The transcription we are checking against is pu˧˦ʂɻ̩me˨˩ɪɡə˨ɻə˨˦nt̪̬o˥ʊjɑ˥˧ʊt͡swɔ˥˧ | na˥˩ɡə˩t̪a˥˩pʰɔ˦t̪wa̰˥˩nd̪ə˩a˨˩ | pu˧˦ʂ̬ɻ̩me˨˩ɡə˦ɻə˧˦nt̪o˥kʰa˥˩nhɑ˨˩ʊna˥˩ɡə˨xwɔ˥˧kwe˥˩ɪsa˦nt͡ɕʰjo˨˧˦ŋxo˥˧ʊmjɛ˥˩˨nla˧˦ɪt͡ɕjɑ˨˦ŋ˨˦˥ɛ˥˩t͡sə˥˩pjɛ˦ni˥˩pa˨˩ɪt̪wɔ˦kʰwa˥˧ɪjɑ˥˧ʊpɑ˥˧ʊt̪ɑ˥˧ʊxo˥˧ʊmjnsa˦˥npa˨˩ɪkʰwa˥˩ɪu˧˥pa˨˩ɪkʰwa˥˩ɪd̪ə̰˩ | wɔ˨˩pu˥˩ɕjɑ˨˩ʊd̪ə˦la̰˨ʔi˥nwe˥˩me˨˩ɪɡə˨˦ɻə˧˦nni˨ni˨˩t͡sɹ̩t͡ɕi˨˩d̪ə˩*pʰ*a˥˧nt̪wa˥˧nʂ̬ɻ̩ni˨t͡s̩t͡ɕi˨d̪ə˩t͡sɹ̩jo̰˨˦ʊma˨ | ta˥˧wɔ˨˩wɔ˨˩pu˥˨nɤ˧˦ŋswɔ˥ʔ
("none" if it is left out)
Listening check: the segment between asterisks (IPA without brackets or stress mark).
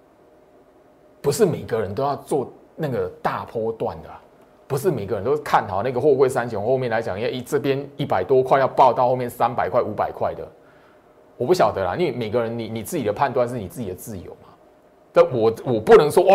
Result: pʰ